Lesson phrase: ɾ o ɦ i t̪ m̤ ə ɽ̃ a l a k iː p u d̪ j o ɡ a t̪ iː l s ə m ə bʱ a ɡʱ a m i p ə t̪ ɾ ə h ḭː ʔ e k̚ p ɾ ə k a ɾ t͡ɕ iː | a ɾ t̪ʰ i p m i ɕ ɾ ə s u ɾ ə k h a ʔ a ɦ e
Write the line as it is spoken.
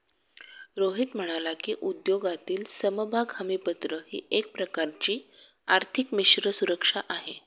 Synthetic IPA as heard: ɾ o ɦ i t̪ m̤ ə ɽ̃ a l a k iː ʔ u d̪ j o ɡ a t̪ iː l s ə m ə bʱ a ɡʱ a m i p ə t̪ ɾ ə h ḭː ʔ e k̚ p ɾ ə k a ɾ t͡ɕ iː | a ɾ t̪ʰ i k m i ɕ ɾ ə s u ɾ ə k ʂ a ʔ a ɦ e